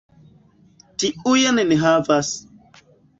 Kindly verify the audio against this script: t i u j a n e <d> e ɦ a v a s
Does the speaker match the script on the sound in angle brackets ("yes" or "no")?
no